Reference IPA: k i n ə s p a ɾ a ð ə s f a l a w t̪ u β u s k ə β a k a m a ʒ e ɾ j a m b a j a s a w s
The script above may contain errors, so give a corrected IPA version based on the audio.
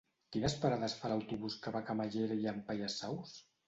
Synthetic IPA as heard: k i n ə s p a ɾ a ð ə s f a l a w t̪ u β u s k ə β a k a m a ʒ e ɾ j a m p a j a s a w s